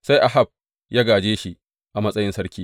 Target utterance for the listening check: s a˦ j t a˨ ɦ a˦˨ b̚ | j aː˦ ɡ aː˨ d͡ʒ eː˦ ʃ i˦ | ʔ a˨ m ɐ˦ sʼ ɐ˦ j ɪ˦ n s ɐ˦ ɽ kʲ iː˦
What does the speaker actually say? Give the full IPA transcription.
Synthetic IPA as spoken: s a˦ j ʔ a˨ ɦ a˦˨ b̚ | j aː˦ ɡ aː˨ d͡ʒ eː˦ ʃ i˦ | ʔ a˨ m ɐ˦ sʼ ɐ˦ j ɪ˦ n s ɐ˦ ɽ kʲ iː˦